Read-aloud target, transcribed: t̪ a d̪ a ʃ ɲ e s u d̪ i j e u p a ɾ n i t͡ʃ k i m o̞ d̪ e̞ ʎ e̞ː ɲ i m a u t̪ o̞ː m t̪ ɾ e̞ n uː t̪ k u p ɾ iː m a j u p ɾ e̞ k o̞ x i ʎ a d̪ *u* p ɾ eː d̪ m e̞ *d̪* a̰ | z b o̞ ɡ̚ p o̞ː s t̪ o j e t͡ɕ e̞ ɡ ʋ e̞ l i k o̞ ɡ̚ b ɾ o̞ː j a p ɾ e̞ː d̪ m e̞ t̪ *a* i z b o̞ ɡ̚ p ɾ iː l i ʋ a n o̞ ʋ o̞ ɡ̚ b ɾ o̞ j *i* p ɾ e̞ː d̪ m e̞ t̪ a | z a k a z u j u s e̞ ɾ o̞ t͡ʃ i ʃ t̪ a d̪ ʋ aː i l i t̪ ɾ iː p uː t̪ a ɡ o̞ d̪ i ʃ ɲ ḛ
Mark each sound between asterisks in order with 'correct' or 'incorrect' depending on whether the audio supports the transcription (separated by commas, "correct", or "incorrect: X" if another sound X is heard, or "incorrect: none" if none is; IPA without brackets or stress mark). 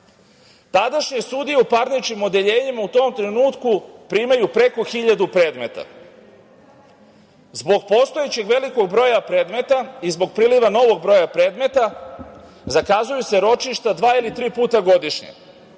correct, incorrect: t̪, correct, incorrect: a